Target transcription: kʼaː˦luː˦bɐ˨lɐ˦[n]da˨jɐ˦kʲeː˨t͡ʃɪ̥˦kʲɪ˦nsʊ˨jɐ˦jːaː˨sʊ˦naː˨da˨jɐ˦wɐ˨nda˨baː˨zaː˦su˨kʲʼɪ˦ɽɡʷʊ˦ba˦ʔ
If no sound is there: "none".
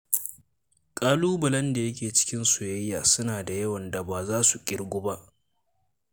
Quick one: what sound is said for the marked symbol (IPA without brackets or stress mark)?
n